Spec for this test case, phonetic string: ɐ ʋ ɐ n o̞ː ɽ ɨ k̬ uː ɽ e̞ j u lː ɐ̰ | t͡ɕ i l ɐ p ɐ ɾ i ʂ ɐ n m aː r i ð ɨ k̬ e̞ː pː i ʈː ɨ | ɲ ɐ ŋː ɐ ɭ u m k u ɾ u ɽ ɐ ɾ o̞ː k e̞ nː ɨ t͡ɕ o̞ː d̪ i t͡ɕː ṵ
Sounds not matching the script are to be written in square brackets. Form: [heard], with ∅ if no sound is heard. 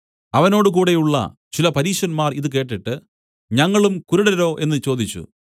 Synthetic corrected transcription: ɐ ʋ ɐ n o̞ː ɽ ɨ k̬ uː ɽ e̞ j u [ɭː] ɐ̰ | t͡ɕ i l ɐ p ɐ ɾ [iː] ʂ ɐ n m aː r i ð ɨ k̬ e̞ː [ʈː] i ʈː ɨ | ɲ ɐ ŋː ɐ ɭ u m k u ɾ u ɽ ɐ ɾ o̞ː [ʔ] e̞ nː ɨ t͡ɕ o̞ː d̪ i t͡ɕː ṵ